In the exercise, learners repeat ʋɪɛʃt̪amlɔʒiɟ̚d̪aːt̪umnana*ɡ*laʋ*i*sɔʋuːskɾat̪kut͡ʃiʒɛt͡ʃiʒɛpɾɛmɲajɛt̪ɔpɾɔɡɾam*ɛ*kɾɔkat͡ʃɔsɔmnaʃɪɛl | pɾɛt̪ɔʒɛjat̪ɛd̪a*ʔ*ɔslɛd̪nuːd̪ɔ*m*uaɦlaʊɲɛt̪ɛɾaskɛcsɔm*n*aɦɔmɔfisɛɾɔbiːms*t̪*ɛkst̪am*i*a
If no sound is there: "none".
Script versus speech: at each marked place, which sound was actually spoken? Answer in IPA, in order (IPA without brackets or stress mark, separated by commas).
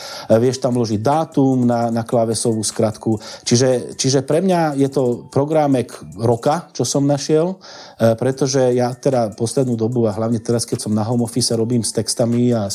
k, ɛ, ɛ, p, b, n, t̪, i